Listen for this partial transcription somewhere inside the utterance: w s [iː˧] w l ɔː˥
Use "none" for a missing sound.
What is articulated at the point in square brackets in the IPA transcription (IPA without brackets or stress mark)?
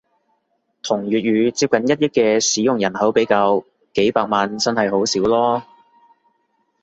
iː˨˥